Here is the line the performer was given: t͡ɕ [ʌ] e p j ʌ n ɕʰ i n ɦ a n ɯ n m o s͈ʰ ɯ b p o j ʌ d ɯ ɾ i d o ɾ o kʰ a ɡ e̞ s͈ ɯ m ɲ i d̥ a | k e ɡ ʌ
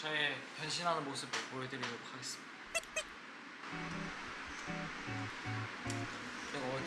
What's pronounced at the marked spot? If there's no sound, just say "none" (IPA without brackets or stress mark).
ʌ